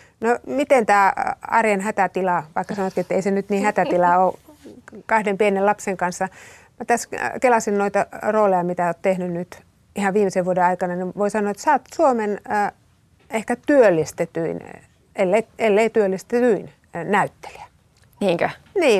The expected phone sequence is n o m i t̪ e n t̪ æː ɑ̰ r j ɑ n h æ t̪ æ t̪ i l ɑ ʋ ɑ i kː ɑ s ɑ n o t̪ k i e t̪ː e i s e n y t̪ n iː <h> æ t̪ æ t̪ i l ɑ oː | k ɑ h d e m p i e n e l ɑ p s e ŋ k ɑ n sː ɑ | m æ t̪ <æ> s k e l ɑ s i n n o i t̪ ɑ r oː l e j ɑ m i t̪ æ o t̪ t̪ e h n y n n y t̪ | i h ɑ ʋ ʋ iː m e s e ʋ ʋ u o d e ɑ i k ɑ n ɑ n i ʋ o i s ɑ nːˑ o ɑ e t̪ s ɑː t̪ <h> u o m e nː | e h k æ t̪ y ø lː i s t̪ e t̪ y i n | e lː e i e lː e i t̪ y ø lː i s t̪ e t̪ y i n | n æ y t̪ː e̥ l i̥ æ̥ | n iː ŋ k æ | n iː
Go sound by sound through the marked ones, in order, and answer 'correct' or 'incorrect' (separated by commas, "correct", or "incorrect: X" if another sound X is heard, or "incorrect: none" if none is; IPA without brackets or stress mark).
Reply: correct, correct, incorrect: s